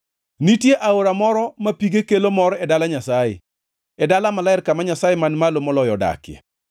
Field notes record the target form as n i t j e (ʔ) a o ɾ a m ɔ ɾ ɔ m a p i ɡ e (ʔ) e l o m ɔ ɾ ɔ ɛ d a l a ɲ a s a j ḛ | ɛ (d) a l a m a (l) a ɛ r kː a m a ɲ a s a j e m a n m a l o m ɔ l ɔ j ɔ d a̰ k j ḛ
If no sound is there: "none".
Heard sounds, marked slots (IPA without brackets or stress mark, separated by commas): ʔ, k, d, l